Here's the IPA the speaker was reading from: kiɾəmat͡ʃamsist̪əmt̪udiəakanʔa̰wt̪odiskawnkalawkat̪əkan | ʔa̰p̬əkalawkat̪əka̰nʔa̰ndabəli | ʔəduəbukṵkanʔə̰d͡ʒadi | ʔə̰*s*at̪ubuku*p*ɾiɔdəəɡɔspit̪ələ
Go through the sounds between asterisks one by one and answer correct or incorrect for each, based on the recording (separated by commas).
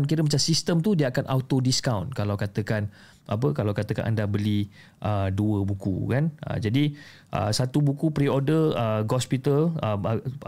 correct, correct